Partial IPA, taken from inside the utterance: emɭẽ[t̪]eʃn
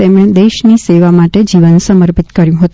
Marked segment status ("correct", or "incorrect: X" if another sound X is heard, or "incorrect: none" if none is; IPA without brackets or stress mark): incorrect: d̪